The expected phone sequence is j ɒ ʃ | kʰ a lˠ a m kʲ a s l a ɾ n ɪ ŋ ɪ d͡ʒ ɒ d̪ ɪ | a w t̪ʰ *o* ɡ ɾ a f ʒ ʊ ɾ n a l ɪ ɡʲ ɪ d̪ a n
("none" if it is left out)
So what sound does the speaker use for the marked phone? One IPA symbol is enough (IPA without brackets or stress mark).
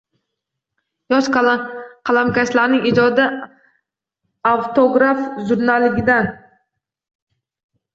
o